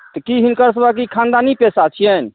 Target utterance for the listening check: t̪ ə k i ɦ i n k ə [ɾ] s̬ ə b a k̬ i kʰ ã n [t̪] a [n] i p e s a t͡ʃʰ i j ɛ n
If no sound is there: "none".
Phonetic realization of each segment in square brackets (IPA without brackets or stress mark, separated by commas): ɾ, d̪, n